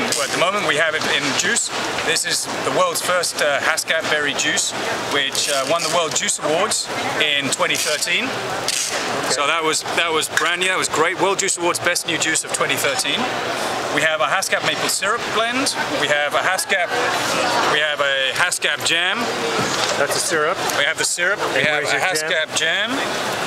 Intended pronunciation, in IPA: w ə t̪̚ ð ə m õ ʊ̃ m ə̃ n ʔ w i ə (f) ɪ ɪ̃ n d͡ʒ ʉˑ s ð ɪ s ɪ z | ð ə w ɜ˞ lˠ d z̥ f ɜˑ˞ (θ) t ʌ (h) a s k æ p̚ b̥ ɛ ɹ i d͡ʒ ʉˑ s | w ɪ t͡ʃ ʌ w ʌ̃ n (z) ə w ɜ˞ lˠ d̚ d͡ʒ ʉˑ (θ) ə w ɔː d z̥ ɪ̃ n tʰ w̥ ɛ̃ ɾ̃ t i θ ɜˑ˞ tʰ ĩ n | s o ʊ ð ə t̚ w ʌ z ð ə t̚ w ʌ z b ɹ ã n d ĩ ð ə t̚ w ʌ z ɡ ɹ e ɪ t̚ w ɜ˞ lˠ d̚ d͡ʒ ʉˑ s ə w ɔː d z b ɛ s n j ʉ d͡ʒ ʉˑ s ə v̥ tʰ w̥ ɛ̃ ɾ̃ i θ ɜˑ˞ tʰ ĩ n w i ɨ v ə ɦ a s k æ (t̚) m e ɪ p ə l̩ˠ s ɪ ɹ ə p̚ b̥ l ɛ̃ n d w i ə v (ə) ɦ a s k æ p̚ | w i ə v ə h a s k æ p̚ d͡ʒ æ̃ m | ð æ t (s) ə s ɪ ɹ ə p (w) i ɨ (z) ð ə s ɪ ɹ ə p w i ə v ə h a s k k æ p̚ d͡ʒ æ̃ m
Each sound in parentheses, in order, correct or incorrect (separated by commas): incorrect, incorrect, correct, incorrect, incorrect, incorrect, correct, correct, correct, incorrect